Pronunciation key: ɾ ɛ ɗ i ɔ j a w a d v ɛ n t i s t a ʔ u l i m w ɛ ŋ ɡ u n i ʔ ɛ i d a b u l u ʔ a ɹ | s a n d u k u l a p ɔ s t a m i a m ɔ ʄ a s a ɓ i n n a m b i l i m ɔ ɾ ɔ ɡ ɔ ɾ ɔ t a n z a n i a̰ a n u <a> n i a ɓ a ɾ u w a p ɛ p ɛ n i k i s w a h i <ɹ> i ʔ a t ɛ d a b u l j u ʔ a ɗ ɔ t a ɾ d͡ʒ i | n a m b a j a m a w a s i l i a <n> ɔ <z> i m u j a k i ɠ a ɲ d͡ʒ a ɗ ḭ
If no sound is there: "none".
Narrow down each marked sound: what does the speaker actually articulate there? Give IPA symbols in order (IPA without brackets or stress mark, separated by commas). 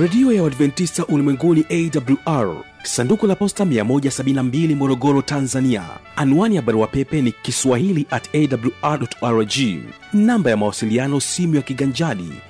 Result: a, l, n, s